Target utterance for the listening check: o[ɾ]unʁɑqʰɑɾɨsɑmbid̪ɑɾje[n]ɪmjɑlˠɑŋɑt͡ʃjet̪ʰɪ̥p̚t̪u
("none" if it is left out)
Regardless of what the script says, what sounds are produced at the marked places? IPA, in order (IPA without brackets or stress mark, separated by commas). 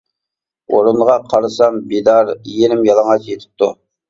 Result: ɾ, n